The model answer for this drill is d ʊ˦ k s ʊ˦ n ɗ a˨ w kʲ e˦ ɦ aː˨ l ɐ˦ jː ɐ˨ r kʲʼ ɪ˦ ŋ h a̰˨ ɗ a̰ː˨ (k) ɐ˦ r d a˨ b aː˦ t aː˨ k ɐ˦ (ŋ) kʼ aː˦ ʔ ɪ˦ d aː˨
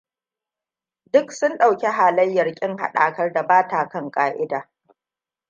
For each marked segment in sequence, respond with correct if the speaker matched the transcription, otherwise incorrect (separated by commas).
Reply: correct, correct